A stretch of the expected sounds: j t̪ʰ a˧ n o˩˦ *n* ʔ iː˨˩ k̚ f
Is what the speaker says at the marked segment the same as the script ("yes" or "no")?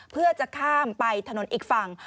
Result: yes